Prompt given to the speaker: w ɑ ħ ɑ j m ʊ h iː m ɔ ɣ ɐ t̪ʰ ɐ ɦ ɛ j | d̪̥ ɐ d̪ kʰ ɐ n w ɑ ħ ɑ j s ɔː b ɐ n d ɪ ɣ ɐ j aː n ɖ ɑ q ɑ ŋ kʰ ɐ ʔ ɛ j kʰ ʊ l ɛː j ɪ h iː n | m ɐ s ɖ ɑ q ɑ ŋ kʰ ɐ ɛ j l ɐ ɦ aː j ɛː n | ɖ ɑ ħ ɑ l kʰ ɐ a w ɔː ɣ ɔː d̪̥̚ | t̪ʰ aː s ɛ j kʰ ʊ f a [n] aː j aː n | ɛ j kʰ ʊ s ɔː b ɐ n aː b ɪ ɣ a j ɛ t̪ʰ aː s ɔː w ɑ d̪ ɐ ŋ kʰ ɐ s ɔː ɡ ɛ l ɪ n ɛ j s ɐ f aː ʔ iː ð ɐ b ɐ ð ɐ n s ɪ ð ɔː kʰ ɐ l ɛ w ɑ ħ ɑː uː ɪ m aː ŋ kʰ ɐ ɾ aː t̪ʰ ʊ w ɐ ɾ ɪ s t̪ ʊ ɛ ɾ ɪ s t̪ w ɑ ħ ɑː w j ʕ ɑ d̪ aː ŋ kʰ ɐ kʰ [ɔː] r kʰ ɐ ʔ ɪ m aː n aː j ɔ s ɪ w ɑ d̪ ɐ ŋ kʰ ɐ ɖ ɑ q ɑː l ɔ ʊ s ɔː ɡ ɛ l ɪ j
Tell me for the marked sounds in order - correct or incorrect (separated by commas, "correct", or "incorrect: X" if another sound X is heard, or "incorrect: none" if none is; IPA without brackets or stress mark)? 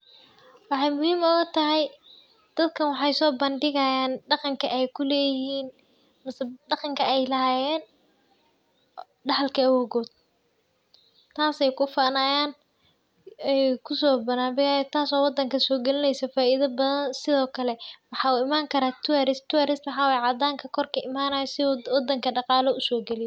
correct, incorrect: ɔ